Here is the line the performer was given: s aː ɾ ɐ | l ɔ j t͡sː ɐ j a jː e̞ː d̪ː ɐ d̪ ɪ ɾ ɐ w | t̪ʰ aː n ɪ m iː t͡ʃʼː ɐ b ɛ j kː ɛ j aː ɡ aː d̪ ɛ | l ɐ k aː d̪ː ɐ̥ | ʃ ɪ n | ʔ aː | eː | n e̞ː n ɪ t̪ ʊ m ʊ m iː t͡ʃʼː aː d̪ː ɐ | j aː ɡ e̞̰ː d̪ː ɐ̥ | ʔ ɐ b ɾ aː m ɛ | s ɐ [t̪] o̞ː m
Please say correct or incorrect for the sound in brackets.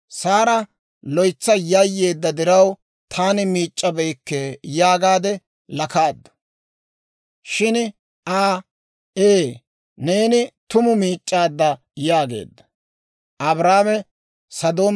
incorrect